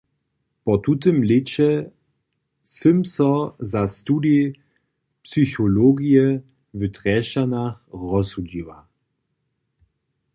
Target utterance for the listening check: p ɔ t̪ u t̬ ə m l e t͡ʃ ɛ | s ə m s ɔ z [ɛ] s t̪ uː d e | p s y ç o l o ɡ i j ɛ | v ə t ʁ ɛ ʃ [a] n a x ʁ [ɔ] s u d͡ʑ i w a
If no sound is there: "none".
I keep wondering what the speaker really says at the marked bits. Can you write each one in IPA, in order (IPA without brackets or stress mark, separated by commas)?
a, a, ɔ